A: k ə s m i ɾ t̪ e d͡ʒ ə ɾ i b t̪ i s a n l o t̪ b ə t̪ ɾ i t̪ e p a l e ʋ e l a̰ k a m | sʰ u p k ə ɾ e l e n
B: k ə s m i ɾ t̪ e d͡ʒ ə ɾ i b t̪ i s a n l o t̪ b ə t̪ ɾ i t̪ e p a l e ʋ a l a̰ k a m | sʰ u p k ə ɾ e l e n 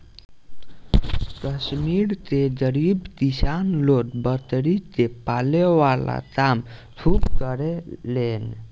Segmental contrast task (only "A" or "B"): B